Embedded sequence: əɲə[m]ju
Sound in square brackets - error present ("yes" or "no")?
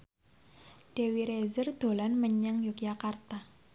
yes